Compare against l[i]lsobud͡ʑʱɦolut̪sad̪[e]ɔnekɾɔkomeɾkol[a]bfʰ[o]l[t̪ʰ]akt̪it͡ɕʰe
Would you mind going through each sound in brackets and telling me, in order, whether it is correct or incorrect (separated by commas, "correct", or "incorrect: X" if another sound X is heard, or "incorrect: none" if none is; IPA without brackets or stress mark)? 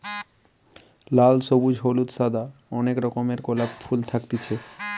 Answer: incorrect: a, incorrect: a, correct, incorrect: u, correct